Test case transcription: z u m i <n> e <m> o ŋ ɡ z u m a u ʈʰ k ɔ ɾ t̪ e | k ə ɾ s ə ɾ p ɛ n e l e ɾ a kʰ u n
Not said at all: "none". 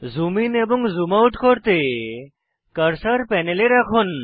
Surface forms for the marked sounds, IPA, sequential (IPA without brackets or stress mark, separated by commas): n, b